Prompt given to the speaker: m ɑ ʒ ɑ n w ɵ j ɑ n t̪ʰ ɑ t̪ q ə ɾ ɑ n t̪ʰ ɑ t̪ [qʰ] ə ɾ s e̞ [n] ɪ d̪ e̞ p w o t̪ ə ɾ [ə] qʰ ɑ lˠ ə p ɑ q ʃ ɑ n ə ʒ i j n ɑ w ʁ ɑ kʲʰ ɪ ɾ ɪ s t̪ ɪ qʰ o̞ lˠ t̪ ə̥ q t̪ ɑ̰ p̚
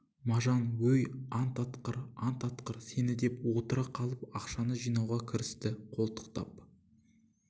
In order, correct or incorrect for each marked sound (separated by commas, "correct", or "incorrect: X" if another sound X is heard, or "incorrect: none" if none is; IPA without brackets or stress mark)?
incorrect: q, correct, incorrect: ɑ